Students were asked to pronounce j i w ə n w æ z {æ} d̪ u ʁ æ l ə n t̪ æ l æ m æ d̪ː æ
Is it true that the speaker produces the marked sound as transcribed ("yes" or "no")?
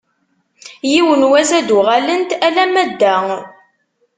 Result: yes